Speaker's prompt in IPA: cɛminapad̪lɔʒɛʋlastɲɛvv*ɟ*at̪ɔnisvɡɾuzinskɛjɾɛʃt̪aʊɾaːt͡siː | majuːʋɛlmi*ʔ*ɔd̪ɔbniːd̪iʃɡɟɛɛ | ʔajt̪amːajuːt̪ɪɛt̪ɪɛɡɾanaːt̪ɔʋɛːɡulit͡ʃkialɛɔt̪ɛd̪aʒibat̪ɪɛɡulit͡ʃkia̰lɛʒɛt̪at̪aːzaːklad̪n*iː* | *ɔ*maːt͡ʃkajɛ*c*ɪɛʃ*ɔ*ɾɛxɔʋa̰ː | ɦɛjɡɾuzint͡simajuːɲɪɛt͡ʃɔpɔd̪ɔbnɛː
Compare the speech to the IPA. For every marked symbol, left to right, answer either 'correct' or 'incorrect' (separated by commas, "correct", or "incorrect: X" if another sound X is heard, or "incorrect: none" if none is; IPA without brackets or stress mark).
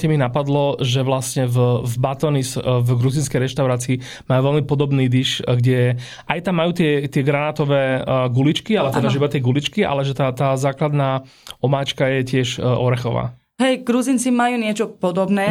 incorrect: b, incorrect: p, incorrect: aː, correct, correct, correct